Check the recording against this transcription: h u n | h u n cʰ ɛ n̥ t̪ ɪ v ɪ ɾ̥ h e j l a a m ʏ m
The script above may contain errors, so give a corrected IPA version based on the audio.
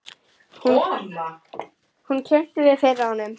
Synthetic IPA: h u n | h u n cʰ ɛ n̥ t̪ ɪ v ɪ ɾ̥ f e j ɾ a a n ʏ m